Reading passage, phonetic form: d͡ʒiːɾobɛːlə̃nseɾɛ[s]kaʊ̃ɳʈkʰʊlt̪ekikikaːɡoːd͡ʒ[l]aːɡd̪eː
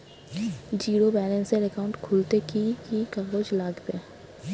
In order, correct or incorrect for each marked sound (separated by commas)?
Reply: incorrect, correct